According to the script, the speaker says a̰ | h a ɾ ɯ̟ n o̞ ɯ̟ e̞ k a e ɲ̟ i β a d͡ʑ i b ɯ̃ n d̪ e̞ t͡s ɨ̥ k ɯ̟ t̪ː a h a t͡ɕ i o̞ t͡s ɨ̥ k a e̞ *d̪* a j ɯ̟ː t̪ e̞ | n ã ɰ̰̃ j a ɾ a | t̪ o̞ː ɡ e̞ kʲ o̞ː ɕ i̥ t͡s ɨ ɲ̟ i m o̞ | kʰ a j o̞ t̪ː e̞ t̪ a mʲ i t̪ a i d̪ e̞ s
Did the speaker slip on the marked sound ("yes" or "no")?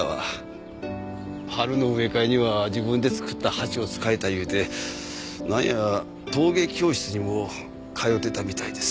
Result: yes